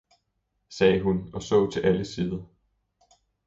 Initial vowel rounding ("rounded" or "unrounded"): unrounded